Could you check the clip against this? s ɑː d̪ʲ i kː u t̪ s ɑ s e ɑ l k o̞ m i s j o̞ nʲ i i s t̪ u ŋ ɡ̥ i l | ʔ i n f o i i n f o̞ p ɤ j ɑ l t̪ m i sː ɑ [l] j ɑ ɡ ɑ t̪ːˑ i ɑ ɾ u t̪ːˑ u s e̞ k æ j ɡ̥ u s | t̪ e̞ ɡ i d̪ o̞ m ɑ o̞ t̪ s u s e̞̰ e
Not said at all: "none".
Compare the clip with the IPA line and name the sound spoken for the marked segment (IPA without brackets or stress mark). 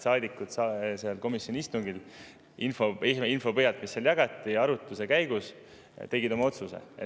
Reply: l